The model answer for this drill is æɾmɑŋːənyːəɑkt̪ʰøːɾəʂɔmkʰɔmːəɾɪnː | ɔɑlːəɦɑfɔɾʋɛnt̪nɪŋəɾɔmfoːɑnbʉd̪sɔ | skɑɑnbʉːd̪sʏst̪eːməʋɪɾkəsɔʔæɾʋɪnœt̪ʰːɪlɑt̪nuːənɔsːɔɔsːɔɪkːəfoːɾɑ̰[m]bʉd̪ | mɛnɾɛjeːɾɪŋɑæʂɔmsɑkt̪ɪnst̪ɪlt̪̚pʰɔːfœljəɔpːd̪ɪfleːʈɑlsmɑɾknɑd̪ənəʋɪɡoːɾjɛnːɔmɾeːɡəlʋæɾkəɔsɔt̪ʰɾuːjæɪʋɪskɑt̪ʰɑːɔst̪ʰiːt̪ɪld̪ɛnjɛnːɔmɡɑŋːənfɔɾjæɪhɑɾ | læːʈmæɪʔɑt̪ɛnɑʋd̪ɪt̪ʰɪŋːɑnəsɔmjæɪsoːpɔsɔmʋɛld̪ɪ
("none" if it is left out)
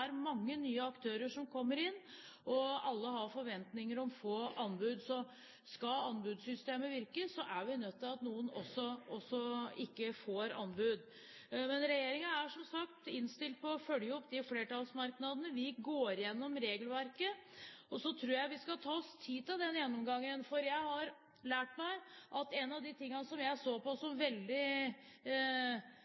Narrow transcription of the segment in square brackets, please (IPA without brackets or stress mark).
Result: n